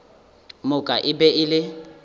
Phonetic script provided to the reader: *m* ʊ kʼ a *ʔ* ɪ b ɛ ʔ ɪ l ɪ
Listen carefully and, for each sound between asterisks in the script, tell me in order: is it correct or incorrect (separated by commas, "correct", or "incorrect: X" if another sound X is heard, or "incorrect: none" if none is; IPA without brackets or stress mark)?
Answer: correct, correct